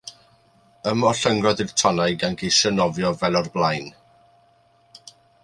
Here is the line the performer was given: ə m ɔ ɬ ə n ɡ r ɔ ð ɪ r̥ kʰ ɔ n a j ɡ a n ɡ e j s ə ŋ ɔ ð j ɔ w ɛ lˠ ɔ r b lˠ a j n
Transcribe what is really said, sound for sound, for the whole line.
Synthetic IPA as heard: ə m ɔ ɬ ə ŋ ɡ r ɔ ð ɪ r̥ tʰ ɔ n a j ɡ a n ɡ e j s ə n ɔ v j ɔ v ɛ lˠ ɔ r b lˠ a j n